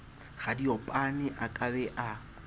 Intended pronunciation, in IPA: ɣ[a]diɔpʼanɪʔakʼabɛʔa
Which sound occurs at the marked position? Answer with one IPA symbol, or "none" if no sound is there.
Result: a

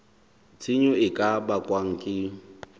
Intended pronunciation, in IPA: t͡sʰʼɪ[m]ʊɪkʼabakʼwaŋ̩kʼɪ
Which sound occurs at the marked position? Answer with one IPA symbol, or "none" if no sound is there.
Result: ɲ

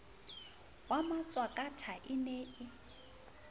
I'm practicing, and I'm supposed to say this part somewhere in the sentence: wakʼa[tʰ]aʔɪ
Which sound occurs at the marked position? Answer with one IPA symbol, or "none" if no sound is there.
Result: tʰ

